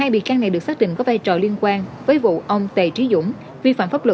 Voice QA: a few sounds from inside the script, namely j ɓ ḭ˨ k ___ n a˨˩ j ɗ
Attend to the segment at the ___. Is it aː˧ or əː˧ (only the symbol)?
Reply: aː˧